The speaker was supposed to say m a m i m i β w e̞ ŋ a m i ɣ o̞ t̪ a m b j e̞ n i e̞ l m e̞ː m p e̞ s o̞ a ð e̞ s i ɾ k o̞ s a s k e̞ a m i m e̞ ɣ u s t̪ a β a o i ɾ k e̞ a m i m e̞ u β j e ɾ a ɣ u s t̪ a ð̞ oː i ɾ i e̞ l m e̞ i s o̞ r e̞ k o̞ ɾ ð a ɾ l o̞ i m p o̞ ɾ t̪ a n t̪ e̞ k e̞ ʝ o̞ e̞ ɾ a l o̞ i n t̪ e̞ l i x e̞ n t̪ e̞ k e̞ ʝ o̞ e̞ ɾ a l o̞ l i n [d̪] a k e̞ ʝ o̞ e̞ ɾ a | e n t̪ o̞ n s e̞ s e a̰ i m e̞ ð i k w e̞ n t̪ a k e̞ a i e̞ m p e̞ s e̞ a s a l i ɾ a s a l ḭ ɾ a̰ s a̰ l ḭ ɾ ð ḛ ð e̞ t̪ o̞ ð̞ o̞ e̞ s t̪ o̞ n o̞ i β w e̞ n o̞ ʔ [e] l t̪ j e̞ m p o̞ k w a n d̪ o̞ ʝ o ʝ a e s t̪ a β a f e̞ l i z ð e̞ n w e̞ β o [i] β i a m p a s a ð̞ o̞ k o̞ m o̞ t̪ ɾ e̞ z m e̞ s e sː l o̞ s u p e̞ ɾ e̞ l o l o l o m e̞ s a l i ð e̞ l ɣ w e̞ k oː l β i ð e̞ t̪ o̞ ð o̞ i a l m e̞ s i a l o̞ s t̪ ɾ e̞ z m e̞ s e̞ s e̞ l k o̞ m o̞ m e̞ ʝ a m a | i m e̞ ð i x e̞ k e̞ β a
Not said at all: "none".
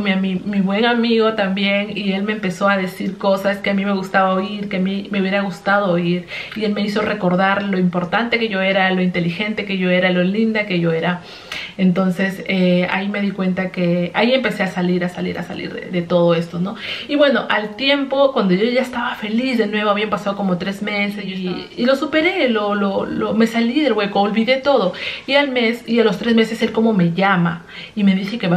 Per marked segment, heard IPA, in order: d̪, a, a

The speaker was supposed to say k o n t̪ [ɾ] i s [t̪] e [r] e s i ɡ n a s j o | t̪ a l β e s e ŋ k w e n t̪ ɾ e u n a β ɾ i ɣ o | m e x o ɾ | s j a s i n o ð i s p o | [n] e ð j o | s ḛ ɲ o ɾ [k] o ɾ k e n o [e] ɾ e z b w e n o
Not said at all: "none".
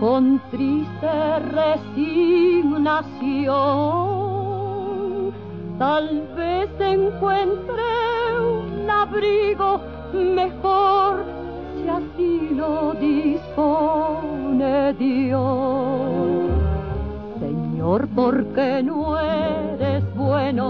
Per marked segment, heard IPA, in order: ɾ, t̪, r, n, p, e

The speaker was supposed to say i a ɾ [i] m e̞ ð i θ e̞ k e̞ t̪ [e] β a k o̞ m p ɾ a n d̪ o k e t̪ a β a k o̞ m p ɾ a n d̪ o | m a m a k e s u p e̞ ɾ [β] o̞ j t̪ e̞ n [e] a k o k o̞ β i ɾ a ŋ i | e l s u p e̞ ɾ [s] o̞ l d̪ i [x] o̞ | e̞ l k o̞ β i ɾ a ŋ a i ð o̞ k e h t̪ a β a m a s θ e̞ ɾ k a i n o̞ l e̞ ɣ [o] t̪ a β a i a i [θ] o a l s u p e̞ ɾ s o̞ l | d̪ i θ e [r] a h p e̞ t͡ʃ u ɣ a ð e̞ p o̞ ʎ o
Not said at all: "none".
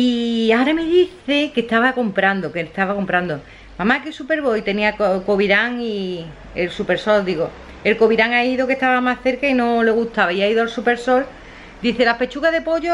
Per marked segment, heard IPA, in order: a, a, β, i, s, ɣ, u, ð, l

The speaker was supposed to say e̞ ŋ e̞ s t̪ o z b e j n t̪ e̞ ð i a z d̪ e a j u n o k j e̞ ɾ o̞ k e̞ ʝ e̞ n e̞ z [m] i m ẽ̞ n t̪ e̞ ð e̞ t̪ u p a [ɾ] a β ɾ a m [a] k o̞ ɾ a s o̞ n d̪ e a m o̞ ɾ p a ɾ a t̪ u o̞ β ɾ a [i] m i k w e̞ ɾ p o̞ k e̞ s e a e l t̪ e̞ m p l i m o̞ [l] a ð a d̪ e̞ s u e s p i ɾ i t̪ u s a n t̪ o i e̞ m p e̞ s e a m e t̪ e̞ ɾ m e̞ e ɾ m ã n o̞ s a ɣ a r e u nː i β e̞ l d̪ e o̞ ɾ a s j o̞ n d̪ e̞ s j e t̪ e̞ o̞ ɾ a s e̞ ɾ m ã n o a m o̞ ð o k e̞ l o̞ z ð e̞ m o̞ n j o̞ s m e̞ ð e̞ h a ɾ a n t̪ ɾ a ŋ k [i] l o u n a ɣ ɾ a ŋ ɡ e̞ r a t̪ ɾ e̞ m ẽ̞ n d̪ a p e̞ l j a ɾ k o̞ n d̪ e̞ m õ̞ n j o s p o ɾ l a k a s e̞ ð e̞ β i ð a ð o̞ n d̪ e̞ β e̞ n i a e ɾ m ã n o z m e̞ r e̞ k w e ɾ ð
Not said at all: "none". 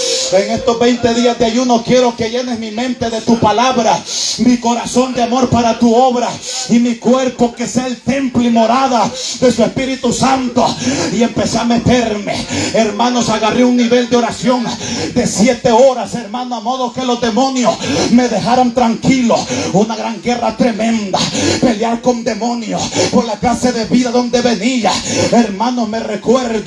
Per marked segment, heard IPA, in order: m, l, i, i, ɾ, i

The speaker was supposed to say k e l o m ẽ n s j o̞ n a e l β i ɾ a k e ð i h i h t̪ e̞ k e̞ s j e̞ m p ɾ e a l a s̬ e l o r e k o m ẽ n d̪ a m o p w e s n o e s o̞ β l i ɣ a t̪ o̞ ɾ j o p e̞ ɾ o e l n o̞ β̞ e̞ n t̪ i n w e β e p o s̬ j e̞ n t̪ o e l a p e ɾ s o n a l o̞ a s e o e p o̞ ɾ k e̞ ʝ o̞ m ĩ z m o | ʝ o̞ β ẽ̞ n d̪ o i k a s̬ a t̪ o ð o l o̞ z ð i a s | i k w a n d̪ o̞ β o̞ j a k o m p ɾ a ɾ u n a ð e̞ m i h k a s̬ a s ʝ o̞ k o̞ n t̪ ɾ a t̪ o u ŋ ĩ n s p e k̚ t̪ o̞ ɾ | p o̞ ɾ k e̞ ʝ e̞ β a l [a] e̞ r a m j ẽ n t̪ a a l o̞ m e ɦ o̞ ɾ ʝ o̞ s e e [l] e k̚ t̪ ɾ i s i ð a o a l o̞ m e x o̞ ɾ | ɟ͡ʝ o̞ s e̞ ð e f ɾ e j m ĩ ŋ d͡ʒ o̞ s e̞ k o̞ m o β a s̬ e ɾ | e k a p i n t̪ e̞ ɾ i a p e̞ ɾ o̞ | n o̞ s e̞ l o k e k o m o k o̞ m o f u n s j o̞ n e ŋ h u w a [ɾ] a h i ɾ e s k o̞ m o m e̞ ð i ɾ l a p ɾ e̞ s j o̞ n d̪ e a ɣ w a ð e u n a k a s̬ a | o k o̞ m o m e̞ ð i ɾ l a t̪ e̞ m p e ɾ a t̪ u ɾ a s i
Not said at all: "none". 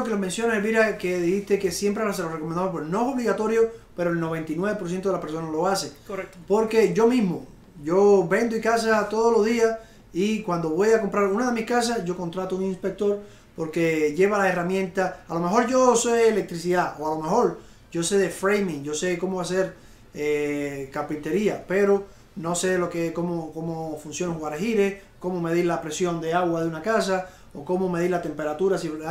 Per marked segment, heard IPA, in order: a, l, ɾ

